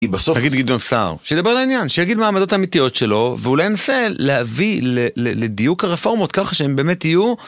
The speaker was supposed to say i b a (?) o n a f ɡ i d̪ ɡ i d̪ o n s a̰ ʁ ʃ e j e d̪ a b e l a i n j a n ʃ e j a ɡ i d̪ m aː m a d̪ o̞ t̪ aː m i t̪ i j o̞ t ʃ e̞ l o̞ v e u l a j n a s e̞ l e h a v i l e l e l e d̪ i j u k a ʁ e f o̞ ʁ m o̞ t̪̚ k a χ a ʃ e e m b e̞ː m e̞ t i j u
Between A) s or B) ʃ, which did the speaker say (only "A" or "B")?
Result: A